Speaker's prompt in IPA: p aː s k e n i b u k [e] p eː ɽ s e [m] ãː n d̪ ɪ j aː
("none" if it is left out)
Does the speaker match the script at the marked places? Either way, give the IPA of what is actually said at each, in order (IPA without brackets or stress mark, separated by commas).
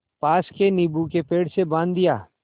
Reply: e, b